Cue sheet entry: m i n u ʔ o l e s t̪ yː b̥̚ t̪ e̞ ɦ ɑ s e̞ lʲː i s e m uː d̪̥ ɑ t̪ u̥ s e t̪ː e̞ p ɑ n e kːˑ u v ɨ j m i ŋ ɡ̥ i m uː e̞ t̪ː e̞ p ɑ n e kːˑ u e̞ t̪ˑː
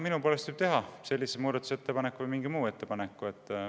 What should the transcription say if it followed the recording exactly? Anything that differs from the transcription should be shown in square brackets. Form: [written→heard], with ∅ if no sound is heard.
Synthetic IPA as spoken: m i n u [ʔ→p] o l e s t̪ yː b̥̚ t̪ e̞ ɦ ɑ s e̞ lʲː i s e m uː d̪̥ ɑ t̪ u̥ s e t̪ː e̞ p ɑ n e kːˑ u v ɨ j m i ŋ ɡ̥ i m uː e̞ t̪ː e̞ p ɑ n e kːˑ u e̞ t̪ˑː